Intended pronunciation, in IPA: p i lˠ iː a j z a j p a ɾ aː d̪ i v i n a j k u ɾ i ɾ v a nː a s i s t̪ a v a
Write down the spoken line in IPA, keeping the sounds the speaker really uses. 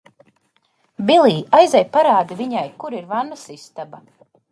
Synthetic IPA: b i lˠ iː a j z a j p a ɾ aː d̪ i v i ɲ a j k u ɾ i ɾ v a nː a s i s t̪ a b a

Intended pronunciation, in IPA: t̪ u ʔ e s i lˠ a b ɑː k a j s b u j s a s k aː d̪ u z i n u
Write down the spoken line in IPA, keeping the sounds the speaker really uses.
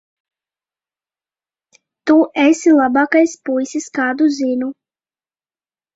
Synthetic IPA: t̪ u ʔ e s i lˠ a b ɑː k a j s p u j s i s k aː d̪ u z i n u

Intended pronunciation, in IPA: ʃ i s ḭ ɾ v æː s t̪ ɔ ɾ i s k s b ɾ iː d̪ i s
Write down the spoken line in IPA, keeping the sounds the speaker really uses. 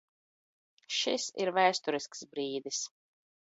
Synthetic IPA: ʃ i s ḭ ɾ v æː s t̪ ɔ ɾ i s k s b ɾ iː d̪ i s

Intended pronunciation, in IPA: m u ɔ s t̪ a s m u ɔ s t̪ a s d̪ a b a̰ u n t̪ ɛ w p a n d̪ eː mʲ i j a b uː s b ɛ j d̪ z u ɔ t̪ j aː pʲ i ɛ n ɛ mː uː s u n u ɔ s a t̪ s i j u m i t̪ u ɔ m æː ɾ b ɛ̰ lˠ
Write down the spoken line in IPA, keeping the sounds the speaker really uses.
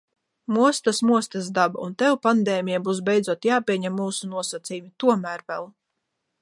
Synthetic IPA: m u ɔ s t̪ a s m u ɔ s t̪ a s d̪ a b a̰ u n t̪ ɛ w p a n d̪ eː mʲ i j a b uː s b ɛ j d̪ z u ɔ t̪ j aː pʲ i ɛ ɲ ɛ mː uː s u n u ɔ s a t̪ s i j u m i t̪ u ɔ m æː ɾ v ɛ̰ lˠ

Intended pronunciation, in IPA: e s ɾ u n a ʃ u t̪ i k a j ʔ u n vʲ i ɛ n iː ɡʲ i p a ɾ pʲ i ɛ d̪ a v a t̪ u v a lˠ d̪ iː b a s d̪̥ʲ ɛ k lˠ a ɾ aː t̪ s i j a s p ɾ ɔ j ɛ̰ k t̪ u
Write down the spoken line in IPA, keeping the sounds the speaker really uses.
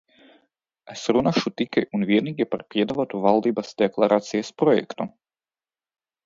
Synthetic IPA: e s ɾ u n a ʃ u t̪ i k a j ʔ u n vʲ i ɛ n iː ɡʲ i p a ɾ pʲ i ɛ d̪ a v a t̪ u v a lˠ d̪ iː b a s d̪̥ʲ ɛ k lˠ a ɾ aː t̪ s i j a s p ɾ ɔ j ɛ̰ k t̪ u

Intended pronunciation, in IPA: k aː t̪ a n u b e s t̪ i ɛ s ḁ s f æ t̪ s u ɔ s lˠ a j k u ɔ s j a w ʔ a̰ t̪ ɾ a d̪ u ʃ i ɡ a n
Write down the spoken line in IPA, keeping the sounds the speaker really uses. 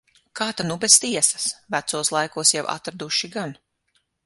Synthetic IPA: k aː t̪ a n u b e s t̪ i ɛ s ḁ s v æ t̪ s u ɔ s lˠ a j k u ɔ s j a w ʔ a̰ t̪ ɾ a d̪ u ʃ i ɡ a n

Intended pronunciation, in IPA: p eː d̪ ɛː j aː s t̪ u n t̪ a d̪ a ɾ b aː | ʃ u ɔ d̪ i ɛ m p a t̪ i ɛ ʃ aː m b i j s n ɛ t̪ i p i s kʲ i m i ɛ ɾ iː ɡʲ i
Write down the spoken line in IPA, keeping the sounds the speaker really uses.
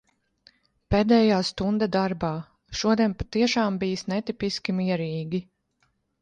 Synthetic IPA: p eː d̪ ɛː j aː s t̪ u n d̪ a d̪ a ɾ b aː | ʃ u ɔ d̪ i ɛ n p a t̪ i ɛ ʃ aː m b i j s n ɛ t̪ i p i s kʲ i m i ɛ ɾ iː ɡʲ i

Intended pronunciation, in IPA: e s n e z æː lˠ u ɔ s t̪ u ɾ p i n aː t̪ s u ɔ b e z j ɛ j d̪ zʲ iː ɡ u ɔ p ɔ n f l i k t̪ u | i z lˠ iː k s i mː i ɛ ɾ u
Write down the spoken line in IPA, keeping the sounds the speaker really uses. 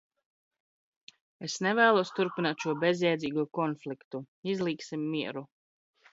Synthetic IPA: e s n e v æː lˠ u ɔ s t̪ u ɾ p i n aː t̪ ʃ u ɔ b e z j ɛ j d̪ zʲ iː ɡ u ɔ k ɔ n f l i k t̪ u | i z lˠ iː k s i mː i ɛ ɾ u

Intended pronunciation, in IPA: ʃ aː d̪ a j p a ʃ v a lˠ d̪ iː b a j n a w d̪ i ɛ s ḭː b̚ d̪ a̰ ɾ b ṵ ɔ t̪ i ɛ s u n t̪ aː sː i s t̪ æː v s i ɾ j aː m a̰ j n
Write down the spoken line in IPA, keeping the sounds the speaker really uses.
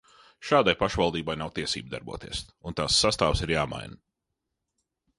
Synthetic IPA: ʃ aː d̪ a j p a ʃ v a lˠ d̪ iː b a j n a w t̪ i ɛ s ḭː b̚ d̪ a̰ ɾ b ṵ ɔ t̪ i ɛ s u n t̪ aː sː a s t̪ aː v s i ɾ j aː m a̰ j n

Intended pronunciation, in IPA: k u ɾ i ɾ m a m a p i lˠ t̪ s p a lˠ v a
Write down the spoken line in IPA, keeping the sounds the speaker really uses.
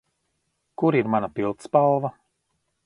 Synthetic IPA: k u ɾ i ɾ m a n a p i lˠ t̪ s p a lˠ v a

